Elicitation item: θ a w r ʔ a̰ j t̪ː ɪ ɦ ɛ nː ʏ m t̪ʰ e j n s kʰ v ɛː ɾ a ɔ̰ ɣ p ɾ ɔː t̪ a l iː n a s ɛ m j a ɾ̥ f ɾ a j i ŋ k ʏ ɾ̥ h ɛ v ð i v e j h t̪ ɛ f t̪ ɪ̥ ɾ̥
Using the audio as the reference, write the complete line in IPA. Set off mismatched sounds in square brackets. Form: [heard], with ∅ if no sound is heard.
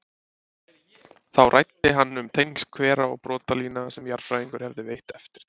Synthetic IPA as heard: θ a w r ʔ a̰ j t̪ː ɪ ɦ [a] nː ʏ m t̪ʰ e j n s kʰ v ɛː ɾ a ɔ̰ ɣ p ɾ ɔː t̪ a l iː n a s ɛ m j a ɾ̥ f ɾ a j i ŋ k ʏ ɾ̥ h ɛ v ð [ɪ] v e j h t̪ ɛ f t̪ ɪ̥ ɾ̥